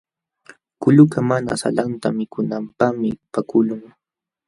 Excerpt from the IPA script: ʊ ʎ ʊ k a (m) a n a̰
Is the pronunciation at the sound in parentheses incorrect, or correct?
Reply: correct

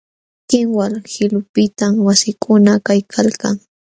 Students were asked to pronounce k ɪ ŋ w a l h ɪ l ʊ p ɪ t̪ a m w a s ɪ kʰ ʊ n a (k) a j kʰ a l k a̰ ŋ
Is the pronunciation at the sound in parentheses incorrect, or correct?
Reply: correct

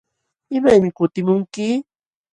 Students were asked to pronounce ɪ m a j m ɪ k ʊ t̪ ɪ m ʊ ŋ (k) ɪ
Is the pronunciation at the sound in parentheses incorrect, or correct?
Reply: correct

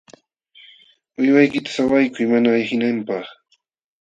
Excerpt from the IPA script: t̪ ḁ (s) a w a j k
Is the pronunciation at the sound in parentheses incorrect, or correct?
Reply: correct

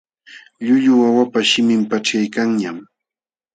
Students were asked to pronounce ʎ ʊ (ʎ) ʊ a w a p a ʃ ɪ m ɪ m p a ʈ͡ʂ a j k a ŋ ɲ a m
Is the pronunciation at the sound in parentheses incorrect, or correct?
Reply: correct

